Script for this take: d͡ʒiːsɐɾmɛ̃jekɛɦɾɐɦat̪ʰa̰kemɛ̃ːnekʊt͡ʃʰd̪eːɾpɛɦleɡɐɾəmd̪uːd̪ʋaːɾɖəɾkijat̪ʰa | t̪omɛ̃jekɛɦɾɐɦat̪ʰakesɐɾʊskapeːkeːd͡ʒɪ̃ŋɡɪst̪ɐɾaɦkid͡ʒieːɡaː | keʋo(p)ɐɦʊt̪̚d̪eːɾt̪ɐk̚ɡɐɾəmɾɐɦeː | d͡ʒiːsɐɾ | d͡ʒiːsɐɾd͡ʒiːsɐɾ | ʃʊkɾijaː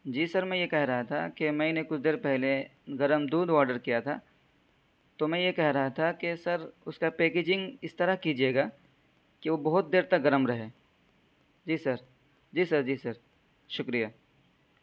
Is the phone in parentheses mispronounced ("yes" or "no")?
yes